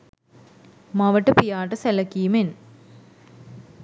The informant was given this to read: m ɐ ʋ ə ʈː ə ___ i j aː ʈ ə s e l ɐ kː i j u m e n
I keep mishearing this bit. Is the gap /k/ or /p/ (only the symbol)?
p